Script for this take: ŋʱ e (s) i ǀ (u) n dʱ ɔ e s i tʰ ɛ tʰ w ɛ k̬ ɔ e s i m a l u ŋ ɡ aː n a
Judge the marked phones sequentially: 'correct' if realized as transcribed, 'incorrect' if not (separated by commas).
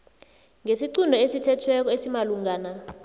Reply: correct, correct